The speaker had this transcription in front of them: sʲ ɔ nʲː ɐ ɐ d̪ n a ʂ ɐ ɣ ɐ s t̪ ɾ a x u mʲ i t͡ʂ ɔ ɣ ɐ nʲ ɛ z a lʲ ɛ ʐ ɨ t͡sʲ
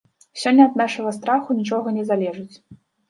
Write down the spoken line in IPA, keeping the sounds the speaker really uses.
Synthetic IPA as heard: sʲ ɔ nʲː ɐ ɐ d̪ n a ʂ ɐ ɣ ɐ s t̪ ɾ a x u nʲ i t͡ʂ ɔ ɣ ɐ nʲ ɛ z a lʲ ɛ ʐ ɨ t͡sʲ

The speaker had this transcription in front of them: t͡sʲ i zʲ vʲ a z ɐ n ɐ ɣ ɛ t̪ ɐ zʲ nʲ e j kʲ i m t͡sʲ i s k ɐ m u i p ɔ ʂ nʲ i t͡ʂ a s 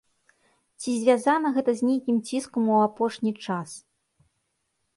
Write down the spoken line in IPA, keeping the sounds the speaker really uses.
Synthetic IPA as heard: t͡sʲ i zʲ vʲ a z a n ɐ ɣ ɛ t̪ ɐ zʲ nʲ e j kʲ i m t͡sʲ i s k ɐ m u a p ɔ ʂ nʲ i t͡ʂ a s

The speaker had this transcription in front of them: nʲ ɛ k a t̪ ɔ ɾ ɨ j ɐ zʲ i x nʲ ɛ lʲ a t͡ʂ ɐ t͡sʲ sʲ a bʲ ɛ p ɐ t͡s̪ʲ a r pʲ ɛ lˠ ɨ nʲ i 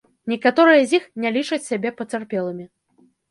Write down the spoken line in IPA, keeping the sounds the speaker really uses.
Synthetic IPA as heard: nʲ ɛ k a t̪ ɔ ɾ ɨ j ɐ zʲ i x nʲ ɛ lʲ i t͡ʂ ɐ t͡sʲ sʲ a bʲ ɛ p ɐ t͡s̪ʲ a r pʲ ɛ lˠ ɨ mʲ i

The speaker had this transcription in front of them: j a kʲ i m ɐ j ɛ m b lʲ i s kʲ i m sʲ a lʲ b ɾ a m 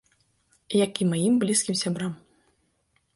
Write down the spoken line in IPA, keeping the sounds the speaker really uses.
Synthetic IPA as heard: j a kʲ i m a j i m b lʲ i s kʲ i m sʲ a b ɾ a m

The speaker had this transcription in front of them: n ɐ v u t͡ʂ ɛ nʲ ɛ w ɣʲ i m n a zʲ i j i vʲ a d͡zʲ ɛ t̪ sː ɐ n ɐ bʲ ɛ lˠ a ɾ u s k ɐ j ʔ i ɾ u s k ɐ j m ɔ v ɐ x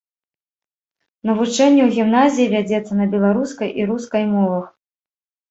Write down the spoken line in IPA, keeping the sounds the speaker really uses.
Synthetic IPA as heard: n ɐ v u t͡ʂ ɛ nʲː ɛ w ɣʲ i m n a zʲ i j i vʲ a d͡zʲ ɛ t̪ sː ɐ n ɐ bʲ ɛ lˠ a ɾ u s k ɐ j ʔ i ɾ u s k ɐ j m ɔ v ɐ x

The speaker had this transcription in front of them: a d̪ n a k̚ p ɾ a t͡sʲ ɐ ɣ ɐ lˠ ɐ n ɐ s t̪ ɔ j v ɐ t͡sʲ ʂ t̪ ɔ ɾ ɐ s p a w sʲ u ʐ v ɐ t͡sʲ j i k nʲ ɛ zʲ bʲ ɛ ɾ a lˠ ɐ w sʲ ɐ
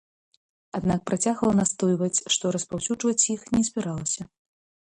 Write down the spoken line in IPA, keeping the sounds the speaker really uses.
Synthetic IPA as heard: a d̪ n a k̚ p ɾ a t͡sʲ a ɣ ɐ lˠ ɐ n a s t̪ ɔ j v ɐ t͡sʲ ʂ t̪ ɔ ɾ ɐ s p a w sʲ u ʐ v ɐ t͡sʲ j i x nʲ ɛ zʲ bʲ ɛ ɾ a lˠ ɐ sʲ ɐ

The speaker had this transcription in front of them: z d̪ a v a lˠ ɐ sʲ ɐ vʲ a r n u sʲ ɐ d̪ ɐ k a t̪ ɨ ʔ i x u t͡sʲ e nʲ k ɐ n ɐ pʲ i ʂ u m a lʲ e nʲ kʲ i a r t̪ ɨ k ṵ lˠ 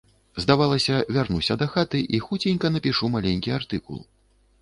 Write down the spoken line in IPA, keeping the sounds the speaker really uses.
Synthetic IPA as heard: z d̪ a v a lˠ ɐ sʲ ɐ vʲ a r n u sʲ ɐ d̪ ɐ x a t̪ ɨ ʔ i x u t͡sʲ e nʲ k ɐ n ɐ pʲ i ʂ u m a lʲ e nʲ kʲ i a r t̪ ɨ k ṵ lˠ

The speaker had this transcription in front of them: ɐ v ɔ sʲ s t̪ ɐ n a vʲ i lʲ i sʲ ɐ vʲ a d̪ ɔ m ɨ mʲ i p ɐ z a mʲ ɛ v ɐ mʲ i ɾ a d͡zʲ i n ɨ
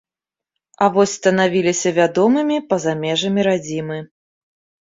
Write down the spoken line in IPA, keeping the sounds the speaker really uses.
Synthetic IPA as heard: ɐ v ɔ sʲ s t̪ ɐ n a vʲ i lʲ i sʲ ɐ vʲ a d̪ ɔ m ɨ mʲ i p ɐ z a mʲ ɛ ʐ ɐ mʲ i ɾ a d͡zʲ i m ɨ

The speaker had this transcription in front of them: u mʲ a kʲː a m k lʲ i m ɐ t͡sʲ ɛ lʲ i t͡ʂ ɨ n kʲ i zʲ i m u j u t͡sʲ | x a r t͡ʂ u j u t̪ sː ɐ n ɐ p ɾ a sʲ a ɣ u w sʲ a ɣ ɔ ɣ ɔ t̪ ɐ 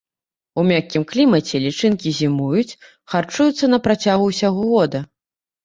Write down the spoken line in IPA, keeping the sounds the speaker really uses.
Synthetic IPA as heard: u mʲ a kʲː i m k lʲ i m ɐ t͡sʲ ɛ lʲ i t͡ʂ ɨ n kʲ i zʲ i m u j u t͡sʲ | x a r t͡ʂ u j u t̪ sː ɐ n ɐ p ɾ a t͡sʲ a ɣ u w sʲ a ɣ ɔ ɣ ɔ d̪ ɐ

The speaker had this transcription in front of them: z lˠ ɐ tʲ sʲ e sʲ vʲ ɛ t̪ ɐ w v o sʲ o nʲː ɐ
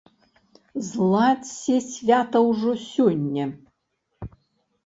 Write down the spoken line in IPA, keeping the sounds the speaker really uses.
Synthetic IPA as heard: z lˠ a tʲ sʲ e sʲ vʲ a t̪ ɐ w ʐ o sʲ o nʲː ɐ

